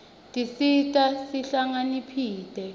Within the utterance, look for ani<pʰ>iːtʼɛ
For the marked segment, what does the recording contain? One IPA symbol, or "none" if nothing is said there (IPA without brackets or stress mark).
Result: pʰ